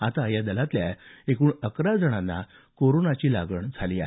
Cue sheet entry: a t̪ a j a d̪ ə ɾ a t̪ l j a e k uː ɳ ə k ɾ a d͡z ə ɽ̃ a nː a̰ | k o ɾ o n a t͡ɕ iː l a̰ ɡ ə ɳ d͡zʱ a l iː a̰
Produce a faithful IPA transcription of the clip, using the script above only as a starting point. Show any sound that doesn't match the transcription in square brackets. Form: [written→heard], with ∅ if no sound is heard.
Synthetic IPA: a t̪ a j a d̪ ə [ɾ→l] a t̪ l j a e k uː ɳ ə k ɾ a d͡z ə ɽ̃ a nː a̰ | k o ɾ o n a t͡ɕ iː l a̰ ɡ ə ɳ d͡zʱ a l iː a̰